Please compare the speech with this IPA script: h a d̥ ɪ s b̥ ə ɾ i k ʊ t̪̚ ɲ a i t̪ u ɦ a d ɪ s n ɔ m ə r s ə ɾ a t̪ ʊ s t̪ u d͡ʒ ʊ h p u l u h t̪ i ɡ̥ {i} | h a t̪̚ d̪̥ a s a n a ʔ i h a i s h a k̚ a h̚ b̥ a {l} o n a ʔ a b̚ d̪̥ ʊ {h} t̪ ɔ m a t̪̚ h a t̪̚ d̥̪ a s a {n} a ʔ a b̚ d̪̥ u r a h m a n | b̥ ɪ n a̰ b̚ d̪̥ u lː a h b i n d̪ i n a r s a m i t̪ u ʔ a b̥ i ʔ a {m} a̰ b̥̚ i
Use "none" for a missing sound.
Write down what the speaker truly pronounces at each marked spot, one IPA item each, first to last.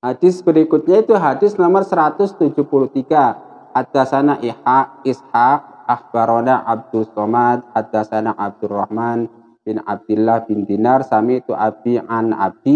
a, ɾ, s, n, n

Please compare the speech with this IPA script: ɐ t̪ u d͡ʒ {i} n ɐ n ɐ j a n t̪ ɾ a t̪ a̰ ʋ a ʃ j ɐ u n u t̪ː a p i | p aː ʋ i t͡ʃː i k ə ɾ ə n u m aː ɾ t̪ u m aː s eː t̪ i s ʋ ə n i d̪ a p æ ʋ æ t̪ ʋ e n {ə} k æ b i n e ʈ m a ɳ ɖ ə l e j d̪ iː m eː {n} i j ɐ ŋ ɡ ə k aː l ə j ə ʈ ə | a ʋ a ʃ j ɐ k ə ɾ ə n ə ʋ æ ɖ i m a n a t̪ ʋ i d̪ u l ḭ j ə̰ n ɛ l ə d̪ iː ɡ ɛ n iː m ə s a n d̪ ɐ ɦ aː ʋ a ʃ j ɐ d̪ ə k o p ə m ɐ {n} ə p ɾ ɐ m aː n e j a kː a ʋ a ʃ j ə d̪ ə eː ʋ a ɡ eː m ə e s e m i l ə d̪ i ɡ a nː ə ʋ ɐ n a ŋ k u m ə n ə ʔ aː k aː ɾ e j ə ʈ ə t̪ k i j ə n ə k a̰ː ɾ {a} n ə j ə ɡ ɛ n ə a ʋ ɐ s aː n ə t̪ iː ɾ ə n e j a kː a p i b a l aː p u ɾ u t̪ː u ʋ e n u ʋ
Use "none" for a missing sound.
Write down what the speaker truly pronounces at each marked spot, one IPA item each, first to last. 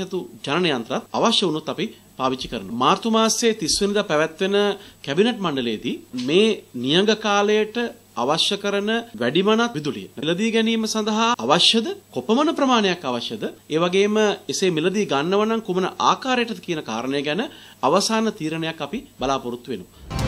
a, ə, n, n, ə

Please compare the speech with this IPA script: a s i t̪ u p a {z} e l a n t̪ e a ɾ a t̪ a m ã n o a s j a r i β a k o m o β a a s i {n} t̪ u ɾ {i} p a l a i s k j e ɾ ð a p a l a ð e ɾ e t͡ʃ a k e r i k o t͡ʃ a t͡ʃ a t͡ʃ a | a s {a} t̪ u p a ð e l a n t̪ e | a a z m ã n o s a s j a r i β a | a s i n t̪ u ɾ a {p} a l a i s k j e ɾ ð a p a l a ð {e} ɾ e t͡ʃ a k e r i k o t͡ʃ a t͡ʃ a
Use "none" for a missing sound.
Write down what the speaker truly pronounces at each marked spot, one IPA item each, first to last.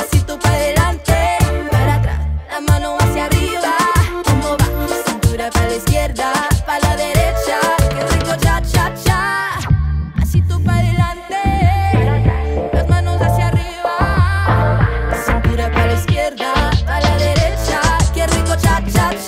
ð, n, a, i, p, e

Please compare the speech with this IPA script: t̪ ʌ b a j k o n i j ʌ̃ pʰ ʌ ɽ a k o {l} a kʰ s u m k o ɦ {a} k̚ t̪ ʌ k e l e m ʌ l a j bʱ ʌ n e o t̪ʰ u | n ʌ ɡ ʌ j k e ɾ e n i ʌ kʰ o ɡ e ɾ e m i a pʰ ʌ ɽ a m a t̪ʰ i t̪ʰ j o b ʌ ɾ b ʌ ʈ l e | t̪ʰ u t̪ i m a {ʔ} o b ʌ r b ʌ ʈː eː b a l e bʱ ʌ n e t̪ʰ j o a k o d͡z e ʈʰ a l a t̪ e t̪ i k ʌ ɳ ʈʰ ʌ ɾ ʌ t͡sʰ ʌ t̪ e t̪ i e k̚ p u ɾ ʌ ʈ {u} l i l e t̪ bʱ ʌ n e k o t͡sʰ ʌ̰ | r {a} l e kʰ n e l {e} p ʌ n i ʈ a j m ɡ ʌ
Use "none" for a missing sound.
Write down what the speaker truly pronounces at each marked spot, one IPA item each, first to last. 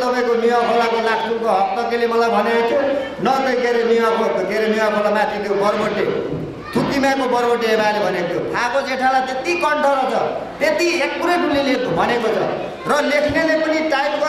l, ʌ, k, u, ʌ, e

